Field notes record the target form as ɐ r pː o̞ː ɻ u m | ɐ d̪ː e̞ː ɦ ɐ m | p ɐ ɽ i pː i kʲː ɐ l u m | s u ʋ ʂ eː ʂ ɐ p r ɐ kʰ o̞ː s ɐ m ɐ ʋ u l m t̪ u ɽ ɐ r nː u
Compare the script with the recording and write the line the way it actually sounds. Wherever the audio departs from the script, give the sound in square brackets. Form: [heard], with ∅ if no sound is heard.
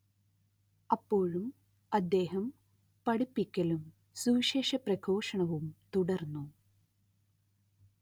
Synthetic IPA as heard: ɐ [∅] pː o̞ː ɻ u m | ɐ d̪ː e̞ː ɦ ɐ m | p ɐ ɽ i pː i kʲː ɐ l u m | s u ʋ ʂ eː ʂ ɐ p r ɐ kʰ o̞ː [ʂ] ɐ [ɳ] ɐ ʋ u [∅] m t̪ u ɽ ɐ r nː u